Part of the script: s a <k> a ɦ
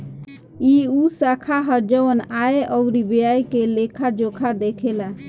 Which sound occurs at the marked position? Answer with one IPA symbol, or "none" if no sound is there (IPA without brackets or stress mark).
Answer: kʰ